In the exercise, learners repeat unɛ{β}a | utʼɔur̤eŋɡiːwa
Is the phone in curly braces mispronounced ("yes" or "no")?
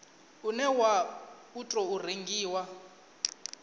yes